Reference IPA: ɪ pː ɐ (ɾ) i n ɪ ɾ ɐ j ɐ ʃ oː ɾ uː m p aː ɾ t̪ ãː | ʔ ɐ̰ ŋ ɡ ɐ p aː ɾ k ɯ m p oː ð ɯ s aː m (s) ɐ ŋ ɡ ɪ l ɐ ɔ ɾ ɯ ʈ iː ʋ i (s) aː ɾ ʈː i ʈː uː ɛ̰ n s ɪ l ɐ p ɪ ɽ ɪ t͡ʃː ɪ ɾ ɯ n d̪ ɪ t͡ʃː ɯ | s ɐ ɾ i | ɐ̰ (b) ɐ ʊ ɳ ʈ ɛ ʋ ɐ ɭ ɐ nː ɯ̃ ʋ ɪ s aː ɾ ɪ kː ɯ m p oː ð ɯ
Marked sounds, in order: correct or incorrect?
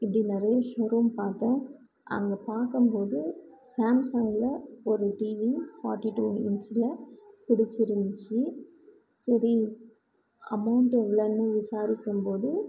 incorrect: ɽ, correct, incorrect: f, incorrect: m

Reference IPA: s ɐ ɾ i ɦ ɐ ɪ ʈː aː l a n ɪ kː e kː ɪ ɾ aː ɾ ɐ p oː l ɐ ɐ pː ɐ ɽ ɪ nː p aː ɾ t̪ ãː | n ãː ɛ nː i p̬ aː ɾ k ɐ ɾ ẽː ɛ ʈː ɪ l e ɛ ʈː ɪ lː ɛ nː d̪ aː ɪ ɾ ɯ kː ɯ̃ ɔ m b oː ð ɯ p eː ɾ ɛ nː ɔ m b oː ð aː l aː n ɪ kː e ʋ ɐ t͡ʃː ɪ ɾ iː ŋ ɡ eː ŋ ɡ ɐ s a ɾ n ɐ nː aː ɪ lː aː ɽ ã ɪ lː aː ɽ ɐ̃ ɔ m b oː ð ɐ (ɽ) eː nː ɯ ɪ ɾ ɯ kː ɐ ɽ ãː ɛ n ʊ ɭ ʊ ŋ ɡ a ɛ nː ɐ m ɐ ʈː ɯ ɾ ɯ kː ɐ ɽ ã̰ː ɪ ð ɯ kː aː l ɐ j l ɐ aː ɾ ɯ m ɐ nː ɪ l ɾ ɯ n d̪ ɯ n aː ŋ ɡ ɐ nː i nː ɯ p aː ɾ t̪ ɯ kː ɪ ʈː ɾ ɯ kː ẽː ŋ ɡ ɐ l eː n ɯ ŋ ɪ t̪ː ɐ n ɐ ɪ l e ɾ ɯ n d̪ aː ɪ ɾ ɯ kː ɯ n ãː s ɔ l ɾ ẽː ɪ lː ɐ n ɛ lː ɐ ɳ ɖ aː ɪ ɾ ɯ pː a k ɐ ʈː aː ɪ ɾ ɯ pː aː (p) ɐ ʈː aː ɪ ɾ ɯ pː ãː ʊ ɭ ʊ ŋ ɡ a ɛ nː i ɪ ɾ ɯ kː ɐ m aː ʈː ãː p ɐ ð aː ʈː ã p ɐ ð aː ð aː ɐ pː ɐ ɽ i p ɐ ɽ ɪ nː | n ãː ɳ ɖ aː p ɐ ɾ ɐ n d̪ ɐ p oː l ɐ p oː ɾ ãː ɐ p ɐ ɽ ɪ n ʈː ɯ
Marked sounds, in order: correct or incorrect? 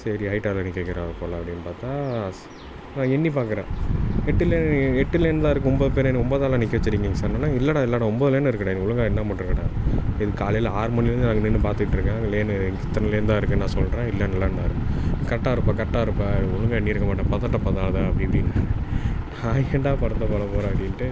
incorrect: l, incorrect: k

